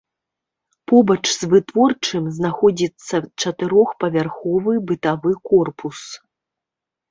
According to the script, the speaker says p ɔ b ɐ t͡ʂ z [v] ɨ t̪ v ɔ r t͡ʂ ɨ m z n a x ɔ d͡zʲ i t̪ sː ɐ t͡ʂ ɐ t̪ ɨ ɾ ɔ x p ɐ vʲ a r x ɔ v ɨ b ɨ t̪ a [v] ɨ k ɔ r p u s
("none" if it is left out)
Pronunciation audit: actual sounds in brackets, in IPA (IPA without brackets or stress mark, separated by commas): v, v